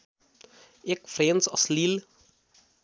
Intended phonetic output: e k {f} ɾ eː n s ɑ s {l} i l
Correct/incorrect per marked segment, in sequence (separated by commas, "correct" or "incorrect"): correct, correct